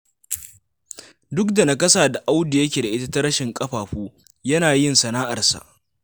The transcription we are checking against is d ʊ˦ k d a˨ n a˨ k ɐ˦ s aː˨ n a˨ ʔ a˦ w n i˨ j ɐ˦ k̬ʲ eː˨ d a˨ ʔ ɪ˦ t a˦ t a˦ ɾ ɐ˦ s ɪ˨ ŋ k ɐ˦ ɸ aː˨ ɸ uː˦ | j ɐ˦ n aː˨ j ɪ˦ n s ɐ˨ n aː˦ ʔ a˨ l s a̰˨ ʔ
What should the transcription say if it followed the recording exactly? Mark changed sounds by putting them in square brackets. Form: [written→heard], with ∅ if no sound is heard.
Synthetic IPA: d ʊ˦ k d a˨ n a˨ k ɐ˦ s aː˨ [n→d] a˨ ʔ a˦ w [n→d] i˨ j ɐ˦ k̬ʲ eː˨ d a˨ ʔ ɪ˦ t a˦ t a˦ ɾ ɐ˦ [s→ʃ] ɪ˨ ŋ [k→kʼ] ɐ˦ ɸ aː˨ ɸ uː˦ | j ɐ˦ n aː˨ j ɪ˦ n s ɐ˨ n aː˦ ʔ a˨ [l→r] s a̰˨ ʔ